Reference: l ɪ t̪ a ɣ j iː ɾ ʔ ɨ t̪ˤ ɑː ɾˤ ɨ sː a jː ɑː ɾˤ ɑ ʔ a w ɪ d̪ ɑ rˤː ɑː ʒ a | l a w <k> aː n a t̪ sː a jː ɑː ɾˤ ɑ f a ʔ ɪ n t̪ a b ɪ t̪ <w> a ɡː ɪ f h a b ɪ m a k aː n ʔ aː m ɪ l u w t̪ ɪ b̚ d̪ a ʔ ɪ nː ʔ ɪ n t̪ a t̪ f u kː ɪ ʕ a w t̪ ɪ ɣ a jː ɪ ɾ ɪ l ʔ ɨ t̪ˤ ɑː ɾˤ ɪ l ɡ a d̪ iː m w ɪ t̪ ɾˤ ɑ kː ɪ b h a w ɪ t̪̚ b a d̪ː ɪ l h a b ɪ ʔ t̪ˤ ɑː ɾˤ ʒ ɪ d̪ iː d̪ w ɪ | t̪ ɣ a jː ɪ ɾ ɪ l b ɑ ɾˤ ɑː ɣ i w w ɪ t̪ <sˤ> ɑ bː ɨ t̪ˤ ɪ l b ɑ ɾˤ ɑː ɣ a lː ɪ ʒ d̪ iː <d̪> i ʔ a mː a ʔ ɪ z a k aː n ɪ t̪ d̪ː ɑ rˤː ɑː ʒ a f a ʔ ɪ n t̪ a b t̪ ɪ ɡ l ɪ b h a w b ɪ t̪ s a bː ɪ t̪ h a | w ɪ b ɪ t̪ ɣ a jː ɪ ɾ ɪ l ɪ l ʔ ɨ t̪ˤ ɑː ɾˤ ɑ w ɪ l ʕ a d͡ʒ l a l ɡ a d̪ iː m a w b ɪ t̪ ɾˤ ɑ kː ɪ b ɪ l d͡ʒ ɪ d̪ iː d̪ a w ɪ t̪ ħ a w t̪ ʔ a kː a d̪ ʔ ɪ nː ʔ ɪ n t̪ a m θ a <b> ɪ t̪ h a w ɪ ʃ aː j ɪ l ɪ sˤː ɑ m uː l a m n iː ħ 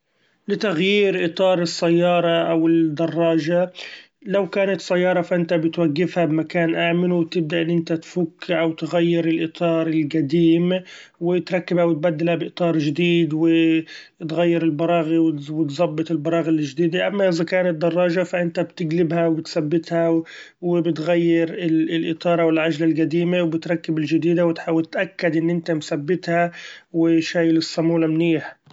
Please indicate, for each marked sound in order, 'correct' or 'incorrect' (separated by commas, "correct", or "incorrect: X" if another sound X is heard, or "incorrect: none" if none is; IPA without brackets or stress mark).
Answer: correct, correct, incorrect: zˤ, correct, incorrect: bː